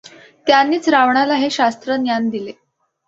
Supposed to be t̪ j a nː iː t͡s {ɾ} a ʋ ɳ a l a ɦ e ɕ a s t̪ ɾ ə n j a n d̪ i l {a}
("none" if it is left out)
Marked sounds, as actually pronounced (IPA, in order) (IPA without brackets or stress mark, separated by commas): ɾ, e